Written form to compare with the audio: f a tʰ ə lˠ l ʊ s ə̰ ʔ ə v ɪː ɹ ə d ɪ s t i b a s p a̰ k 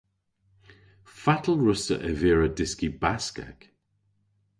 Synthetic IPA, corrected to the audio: f a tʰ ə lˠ ɹ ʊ s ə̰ ʔ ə v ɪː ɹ ə d ɪ s k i b a s k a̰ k